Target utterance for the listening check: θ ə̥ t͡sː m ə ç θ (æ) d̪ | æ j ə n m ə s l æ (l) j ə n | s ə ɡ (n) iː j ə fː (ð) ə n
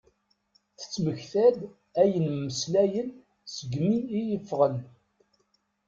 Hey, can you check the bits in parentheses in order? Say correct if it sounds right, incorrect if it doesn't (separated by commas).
correct, incorrect, incorrect, incorrect